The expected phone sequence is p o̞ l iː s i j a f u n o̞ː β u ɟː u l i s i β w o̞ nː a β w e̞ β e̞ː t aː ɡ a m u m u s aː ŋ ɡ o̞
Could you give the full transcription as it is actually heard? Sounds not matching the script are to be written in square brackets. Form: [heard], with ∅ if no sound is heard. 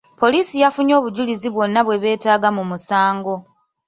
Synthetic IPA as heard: p o̞ l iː s i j a f u [ɲ] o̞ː β u [ɟ] u l i [z] i β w o̞ nː a β w e̞ β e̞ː t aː ɡ a m u m u s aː ŋ ɡ o̞